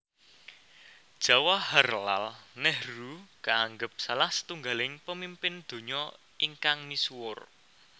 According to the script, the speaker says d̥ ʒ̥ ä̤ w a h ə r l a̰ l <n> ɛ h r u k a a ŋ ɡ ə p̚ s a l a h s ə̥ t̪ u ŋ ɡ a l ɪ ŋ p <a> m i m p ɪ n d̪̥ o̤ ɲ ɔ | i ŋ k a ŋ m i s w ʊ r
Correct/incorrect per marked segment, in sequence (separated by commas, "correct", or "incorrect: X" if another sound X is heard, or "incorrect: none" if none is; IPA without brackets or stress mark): correct, incorrect: ə